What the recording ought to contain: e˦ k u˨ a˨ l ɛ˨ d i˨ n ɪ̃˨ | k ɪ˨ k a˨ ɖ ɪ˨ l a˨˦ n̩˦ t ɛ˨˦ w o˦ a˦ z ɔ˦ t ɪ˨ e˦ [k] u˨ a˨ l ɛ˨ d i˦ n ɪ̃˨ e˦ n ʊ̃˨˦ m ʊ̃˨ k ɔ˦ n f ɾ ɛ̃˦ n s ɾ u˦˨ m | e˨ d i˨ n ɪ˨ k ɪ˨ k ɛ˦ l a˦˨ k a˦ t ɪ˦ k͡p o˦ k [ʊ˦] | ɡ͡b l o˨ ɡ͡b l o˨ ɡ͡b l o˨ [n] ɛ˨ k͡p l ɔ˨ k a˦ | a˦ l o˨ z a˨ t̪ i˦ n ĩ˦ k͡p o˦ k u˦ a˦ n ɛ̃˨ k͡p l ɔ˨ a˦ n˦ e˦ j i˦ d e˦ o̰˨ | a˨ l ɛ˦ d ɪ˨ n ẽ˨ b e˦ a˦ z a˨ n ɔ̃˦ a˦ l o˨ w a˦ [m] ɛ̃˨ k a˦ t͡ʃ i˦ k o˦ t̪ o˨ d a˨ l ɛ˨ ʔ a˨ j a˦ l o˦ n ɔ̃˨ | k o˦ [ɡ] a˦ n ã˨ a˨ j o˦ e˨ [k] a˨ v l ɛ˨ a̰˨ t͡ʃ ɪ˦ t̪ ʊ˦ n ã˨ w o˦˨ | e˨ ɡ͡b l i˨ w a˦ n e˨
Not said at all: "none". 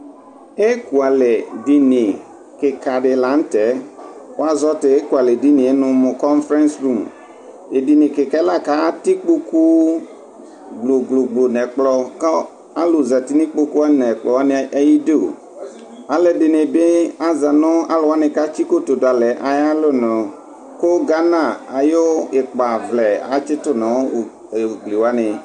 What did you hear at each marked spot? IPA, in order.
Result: k, u˦, n, n, ɡ, k͡p

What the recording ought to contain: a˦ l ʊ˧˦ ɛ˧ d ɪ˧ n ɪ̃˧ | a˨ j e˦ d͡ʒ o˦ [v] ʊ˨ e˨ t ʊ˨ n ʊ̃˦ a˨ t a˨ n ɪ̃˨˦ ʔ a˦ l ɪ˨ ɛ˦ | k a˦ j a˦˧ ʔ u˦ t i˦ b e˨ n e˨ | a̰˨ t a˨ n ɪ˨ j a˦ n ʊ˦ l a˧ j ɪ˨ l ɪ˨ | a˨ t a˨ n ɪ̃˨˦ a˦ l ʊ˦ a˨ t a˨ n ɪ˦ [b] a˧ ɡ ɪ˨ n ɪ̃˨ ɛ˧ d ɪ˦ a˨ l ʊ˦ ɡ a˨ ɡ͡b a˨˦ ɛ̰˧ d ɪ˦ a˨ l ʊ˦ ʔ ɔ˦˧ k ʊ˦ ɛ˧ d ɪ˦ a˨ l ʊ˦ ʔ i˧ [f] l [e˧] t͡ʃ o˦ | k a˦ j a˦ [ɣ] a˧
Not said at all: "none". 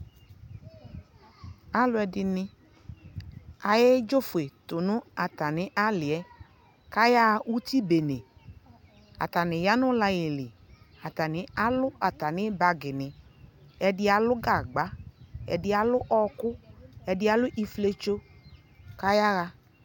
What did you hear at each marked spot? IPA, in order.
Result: f, b, f, e˧, ɣ

